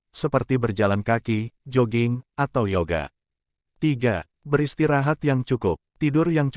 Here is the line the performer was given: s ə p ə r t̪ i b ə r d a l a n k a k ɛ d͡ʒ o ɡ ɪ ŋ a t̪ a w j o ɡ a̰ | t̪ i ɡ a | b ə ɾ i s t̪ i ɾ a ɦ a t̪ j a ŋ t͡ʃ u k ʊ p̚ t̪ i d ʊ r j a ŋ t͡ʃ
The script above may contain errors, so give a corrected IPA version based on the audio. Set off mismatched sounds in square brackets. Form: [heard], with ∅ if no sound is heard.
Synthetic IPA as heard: s ə p ə r t̪ i b ə r [d͡ʒ] a l a n k a k [i] d͡ʒ o ɡ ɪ ŋ a t̪ a w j o ɡ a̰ | t̪ i ɡ a | b ə ɾ i s t̪ i ɾ a ɦ a t̪ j a ŋ t͡ʃ u k ʊ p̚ t̪ i d ʊ r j a ŋ t͡ʃ